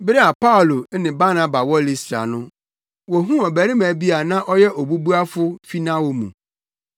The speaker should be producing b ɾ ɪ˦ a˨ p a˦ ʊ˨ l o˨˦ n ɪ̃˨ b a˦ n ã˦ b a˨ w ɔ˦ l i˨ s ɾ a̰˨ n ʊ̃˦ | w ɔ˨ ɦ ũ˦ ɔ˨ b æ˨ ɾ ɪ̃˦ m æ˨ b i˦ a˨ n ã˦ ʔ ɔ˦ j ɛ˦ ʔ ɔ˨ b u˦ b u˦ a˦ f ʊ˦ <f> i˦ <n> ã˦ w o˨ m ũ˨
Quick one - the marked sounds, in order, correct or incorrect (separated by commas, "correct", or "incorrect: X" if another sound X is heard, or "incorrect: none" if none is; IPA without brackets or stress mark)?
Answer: correct, correct